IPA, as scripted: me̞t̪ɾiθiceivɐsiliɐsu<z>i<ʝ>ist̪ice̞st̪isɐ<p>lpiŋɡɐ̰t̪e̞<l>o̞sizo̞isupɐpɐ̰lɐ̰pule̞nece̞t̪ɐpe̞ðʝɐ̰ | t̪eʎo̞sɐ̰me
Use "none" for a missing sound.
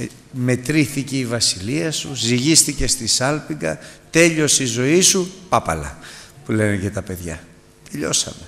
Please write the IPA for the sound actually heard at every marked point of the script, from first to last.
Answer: z, ʝ, none, ʎ

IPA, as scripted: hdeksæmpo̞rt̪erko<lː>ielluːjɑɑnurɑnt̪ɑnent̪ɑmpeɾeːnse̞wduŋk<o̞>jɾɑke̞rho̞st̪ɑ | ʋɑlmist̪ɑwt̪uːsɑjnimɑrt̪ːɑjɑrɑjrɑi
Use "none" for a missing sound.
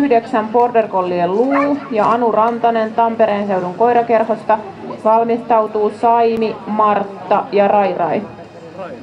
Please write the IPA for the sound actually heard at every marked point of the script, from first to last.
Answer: lː, o̞

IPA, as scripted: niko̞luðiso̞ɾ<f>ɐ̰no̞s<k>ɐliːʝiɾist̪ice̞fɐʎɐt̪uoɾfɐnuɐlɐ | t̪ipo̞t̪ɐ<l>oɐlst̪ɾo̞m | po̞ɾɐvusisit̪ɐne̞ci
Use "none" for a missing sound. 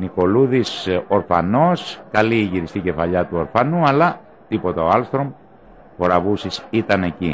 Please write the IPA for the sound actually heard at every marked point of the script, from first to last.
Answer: f, k, none

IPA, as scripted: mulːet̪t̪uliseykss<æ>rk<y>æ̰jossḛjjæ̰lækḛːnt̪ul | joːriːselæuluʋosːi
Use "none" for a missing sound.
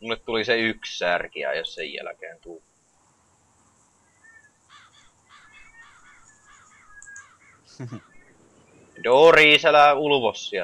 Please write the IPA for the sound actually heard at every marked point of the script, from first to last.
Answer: æ, i

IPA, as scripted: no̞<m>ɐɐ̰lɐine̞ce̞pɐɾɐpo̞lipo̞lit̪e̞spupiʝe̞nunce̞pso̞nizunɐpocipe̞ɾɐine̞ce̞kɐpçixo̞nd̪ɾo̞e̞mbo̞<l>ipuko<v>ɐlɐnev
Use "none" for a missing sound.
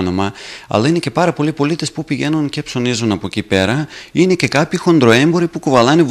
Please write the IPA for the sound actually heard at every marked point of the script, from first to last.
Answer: m, ɾ, v

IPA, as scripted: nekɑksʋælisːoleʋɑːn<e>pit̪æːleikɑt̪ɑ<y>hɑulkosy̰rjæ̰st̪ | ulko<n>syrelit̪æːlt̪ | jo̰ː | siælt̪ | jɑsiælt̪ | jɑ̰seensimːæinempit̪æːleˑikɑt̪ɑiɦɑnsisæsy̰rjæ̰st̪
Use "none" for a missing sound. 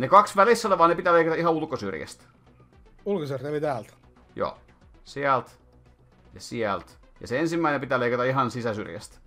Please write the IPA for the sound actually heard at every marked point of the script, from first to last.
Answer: e, i, none

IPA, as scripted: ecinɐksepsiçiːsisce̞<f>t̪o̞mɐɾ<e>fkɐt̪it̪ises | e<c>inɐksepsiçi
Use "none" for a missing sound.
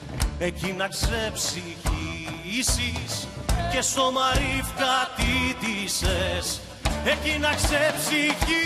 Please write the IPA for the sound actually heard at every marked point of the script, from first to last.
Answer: s, i, c

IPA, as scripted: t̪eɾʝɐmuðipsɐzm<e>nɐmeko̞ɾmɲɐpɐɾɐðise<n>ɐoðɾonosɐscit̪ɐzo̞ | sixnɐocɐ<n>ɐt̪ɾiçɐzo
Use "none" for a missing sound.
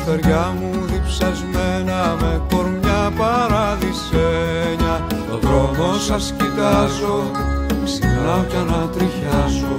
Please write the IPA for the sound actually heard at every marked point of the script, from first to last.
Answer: e, ɲ, n

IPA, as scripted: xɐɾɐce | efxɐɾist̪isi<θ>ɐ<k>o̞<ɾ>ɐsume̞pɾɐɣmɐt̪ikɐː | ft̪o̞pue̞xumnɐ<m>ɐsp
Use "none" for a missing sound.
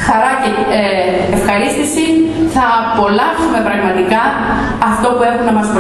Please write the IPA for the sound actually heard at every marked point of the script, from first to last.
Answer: θ, p, l, m

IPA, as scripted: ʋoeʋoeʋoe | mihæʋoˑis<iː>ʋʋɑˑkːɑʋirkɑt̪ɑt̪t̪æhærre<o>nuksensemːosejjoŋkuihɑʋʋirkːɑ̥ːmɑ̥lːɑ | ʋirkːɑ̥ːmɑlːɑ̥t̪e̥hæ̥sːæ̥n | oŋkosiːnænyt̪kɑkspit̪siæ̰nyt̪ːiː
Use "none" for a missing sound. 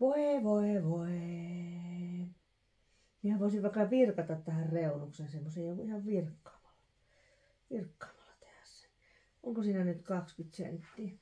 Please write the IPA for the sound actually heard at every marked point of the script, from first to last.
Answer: i, u

